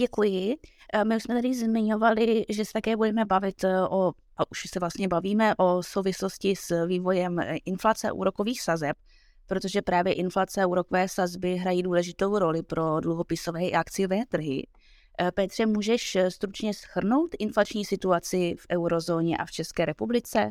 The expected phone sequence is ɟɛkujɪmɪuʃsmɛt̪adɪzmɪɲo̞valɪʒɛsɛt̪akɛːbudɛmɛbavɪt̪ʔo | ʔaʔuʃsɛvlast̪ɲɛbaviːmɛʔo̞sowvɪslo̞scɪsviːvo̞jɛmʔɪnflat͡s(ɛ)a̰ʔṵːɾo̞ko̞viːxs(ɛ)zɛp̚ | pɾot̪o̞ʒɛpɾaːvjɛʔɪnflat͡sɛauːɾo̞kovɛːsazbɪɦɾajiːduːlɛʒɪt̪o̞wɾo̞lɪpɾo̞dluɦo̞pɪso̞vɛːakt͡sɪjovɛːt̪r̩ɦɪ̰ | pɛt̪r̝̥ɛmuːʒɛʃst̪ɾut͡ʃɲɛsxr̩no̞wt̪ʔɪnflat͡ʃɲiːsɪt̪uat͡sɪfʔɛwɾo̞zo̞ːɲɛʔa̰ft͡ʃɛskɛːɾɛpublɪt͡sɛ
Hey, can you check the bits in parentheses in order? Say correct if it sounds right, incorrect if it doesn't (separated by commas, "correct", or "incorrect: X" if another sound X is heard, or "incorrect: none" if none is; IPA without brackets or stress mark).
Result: correct, incorrect: a